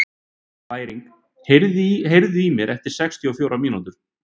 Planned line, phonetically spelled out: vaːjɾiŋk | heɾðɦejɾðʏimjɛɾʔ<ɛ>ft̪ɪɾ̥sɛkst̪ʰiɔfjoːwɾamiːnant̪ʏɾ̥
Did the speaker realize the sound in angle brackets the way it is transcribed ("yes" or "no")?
yes